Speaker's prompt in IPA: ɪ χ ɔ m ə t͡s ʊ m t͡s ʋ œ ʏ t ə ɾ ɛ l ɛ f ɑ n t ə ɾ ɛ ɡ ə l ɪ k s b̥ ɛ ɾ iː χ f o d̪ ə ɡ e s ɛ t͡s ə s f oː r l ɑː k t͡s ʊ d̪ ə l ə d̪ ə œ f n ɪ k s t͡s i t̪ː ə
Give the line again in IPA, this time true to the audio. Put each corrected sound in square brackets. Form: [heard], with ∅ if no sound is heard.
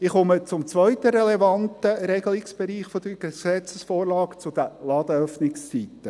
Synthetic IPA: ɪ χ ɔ m ə t͡s ʊ m t͡s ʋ œ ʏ t ə ɾ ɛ l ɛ [v] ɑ n t ə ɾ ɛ ɡ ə l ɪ k s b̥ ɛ ɾ iː χ f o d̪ ə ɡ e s ɛ t͡s ə s f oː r l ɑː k t͡s ʊ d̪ ə l [ɑ] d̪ ə œ f n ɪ k s t͡s i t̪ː ə